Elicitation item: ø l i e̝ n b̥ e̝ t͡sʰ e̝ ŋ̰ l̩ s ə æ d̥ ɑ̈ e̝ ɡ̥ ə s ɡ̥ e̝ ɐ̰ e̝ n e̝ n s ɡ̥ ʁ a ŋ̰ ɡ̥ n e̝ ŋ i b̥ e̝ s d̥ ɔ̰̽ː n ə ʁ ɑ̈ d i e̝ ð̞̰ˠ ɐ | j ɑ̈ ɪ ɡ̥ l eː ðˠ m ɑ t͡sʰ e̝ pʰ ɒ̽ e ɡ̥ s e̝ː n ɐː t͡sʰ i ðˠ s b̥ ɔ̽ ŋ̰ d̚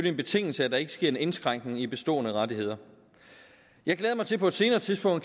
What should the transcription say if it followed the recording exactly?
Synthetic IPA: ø l i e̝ n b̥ e̝ t͡sʰ e̝ ŋ̰ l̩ s ə æ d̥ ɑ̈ e̝ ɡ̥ ə s ɡ̥ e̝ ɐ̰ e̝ n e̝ n s ɡ̥ ʁ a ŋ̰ ɡ̥ n e̝ ŋ i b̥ e̝ s d̥ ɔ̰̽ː n ə ʁ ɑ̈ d i e̝ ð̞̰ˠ ɐ | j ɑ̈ ɪ ɡ̥ l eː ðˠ m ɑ t͡sʰ e̝ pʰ ɒ̽ e d̥ s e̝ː n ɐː t͡sʰ i ðˠ s b̥ ɔ̽ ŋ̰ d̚